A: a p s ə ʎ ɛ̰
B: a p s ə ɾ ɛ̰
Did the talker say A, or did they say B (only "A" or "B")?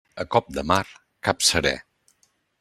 B